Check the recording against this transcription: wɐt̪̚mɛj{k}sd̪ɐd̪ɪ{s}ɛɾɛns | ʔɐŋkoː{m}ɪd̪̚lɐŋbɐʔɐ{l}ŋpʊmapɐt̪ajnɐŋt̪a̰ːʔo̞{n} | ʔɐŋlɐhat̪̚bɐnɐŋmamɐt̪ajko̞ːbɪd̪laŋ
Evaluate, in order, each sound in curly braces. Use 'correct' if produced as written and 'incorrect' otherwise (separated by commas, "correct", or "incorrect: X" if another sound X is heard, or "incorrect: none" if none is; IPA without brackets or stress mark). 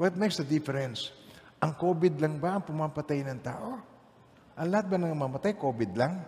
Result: correct, incorrect: f, incorrect: b, incorrect: none, incorrect: none